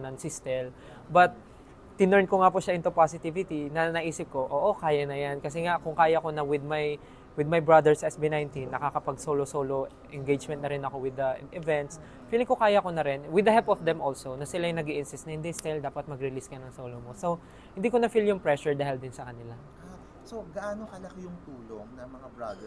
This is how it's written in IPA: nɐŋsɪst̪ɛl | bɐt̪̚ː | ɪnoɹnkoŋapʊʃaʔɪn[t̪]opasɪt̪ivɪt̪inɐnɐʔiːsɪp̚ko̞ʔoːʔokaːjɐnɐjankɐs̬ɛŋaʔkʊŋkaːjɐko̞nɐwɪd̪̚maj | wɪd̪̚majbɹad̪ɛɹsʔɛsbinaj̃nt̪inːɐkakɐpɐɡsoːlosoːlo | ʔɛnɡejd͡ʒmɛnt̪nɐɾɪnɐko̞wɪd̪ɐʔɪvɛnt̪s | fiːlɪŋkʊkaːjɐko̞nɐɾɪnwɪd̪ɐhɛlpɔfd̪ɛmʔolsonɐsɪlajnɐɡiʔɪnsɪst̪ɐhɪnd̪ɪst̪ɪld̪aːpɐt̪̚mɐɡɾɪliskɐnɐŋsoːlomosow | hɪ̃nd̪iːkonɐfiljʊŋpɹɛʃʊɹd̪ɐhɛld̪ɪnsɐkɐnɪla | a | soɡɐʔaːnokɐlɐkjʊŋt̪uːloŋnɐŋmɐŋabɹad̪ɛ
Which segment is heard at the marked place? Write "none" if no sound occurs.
t̪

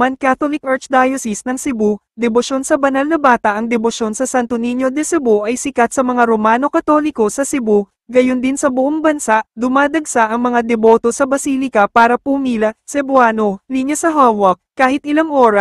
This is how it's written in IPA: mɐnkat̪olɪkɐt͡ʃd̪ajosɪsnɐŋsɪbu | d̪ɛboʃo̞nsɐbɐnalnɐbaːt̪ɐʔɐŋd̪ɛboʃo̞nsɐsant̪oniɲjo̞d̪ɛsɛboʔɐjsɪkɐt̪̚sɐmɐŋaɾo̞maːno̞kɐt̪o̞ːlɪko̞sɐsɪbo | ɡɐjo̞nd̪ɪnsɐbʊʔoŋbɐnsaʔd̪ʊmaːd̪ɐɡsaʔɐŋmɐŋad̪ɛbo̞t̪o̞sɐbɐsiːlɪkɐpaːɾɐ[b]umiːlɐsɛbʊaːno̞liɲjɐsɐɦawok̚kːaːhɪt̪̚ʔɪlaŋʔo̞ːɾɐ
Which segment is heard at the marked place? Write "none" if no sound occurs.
p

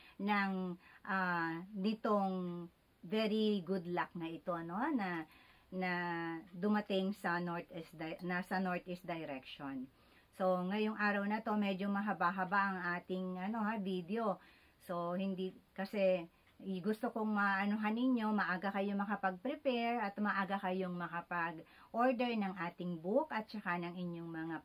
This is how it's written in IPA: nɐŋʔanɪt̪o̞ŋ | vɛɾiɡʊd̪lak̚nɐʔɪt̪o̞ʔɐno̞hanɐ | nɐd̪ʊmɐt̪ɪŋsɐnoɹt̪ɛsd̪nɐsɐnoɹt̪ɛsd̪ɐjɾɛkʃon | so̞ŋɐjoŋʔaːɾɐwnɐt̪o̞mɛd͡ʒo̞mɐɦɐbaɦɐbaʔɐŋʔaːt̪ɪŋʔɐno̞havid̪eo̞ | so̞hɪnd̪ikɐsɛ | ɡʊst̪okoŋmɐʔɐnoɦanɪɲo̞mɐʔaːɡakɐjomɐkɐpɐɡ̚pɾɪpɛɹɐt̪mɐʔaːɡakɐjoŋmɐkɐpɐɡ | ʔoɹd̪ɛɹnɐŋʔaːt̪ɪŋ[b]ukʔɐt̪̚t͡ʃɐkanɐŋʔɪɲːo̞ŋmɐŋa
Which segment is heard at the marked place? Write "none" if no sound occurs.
b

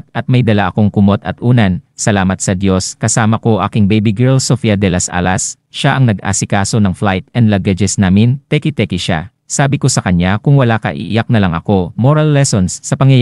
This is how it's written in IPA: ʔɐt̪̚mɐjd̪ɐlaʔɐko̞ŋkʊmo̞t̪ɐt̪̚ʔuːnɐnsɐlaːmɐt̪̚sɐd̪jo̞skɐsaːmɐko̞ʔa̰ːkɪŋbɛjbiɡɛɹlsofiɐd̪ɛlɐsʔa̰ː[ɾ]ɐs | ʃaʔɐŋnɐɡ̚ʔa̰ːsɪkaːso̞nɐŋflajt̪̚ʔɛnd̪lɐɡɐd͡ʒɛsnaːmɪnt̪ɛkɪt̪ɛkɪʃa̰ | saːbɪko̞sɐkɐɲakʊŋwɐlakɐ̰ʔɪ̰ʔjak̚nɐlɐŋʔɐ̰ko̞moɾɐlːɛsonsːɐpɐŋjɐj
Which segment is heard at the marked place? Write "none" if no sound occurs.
l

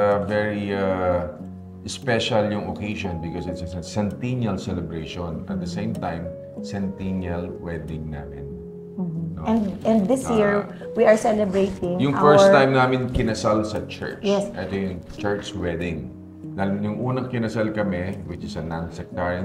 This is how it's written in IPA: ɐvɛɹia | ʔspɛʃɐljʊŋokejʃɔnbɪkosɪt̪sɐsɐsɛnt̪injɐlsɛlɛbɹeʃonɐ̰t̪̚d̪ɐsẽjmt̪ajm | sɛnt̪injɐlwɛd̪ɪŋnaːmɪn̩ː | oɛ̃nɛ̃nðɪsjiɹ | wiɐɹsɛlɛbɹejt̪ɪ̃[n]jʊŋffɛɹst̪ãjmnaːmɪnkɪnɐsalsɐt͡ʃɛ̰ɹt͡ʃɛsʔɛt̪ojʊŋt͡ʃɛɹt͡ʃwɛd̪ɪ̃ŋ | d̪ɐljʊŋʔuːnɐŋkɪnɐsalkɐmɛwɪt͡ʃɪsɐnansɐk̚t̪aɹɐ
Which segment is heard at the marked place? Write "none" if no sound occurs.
ŋ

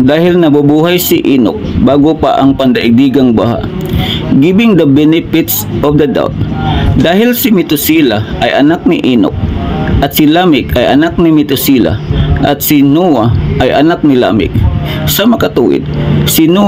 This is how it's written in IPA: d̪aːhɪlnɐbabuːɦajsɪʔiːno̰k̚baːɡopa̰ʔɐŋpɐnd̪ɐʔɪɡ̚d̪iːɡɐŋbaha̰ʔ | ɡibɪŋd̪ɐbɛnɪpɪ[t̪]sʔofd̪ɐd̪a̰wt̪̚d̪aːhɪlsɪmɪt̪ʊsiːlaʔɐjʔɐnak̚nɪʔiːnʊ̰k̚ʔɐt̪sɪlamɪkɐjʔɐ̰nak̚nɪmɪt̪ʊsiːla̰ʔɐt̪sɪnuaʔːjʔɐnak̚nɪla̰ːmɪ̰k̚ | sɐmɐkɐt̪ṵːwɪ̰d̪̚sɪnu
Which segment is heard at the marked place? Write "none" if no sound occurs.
t̪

